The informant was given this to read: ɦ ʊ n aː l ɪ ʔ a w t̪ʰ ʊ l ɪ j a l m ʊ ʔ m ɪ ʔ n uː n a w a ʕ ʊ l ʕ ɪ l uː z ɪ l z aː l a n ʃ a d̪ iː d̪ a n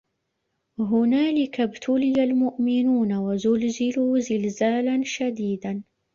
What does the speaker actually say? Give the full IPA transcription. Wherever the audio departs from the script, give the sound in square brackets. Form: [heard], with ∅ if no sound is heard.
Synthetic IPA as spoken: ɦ ʊ n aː l ɪ [k] a [b] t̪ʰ ʊ l ɪ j a l m ʊ ʔ m ɪ [∅] n uː n a w a [z] ʊ l [z] ɪ l uː z ɪ l z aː l a n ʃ a d̪ iː d̪ a n